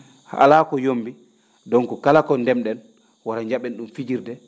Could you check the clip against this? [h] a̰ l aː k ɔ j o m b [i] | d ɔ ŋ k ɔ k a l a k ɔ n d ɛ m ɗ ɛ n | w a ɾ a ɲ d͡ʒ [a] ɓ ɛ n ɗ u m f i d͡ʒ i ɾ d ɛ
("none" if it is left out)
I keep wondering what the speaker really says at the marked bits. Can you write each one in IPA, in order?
h, i, a

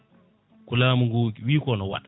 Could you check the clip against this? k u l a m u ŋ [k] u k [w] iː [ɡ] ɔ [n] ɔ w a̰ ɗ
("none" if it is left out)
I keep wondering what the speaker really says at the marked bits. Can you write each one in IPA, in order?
ɡ, w, k, n

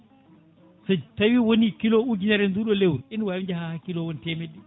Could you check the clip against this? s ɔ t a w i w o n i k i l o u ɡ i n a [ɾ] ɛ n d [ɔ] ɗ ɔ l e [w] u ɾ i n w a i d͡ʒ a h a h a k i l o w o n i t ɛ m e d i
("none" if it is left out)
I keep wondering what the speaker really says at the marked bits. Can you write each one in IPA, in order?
ɾ, u, w

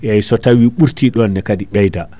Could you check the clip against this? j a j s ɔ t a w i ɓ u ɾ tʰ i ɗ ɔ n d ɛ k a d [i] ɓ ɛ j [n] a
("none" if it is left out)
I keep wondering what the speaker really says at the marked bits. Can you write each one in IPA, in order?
i, d

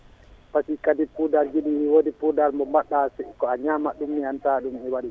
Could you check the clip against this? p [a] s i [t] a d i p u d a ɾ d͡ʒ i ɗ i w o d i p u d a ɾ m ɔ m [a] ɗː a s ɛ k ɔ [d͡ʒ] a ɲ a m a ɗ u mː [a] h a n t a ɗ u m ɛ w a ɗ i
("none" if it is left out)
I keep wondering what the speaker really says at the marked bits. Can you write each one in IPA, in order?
a, k, a, none, i

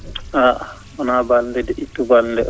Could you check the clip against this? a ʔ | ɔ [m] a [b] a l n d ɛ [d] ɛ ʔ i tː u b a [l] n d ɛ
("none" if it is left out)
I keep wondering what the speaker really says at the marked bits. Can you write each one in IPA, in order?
n, b, d, l

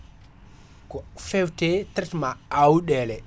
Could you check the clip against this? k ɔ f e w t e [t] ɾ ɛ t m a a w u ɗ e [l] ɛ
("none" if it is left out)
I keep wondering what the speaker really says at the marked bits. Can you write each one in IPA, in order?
t, l

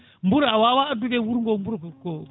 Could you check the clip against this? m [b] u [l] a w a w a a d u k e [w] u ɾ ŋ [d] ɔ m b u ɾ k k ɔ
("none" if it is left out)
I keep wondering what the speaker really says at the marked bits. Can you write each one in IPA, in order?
b, ɾ, w, ɡ

